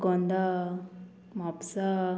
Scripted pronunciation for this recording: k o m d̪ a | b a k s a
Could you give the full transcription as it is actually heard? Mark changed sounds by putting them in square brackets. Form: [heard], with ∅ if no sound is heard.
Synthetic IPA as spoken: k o [n] d̪ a | [m] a [p] s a